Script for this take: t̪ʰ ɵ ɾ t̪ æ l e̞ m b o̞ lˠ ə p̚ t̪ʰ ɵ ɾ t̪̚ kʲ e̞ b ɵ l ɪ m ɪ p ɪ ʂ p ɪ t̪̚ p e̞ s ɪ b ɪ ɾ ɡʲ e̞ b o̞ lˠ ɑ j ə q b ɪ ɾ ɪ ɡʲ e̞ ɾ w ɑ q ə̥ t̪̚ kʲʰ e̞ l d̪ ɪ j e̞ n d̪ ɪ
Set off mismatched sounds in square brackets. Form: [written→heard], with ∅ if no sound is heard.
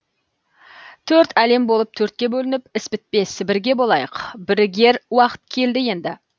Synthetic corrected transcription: t̪ʰ ɵ ɾ t̪ æ l e̞ m b o̞ lˠ ə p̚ t̪ʰ ɵ ɾ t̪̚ kʲ e̞ b ɵ l ɪ [m→n] ɪ p ɪ [ʂ→s] p ɪ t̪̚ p e̞ s ɪ b ɪ ɾ ɡʲ e̞ b o̞ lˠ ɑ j ə q b ɪ ɾ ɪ ɡʲ e̞ ɾ w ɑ q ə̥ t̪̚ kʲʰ e̞ l d̪ ɪ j e̞ n d̪ ɪ

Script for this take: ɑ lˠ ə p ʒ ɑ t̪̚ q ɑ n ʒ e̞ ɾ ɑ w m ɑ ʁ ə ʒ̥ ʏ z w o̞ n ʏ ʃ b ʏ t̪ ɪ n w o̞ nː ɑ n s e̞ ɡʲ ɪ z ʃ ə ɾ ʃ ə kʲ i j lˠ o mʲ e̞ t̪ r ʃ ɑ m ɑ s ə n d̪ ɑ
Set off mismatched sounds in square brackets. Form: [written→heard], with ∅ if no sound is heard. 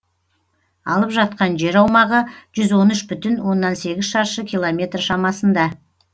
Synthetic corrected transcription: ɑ lˠ ə p ʒ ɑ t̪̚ q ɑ n ʒ e̞ ɾ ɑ w m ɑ ʁ ə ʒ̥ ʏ z w o̞ n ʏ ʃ b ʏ t̪ ɪ n w o̞ nː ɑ n s e̞ ɡʲ ɪ z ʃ [ə→ɑ] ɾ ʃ ə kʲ i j lˠ o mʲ e̞ t̪ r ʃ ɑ m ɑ s ə n d̪ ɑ

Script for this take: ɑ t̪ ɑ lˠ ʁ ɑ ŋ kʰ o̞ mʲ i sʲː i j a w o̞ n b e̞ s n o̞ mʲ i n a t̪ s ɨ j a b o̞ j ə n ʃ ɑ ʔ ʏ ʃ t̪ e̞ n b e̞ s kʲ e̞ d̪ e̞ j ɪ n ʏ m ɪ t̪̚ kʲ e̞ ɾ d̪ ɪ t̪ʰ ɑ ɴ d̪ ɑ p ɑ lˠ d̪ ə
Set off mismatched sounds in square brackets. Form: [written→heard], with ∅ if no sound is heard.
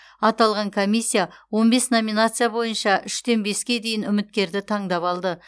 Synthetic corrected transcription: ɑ t̪ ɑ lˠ ʁ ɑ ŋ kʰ o̞ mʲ i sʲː i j a w o̞ n b e̞ s n o̞ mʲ i n a t̪ s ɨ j a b o̞ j ə n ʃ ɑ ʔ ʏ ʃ t̪ e̞ n b e̞ s kʲ e̞ d̪ e̞ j ɪ n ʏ m ɪ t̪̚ kʲ e̞ ɾ d̪ ɪ t̪ʰ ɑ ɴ d̪ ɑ p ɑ lˠ d̪ ə

